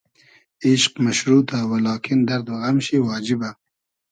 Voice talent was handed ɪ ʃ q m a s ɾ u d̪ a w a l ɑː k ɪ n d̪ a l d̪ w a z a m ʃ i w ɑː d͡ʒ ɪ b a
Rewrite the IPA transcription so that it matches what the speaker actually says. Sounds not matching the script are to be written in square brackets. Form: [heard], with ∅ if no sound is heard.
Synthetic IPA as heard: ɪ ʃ q m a [ʃ] ɾ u [t̪] a w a l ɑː k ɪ n d̪ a [ɾ] d̪ w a [ɣ] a m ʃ i w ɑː d͡ʒ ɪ b a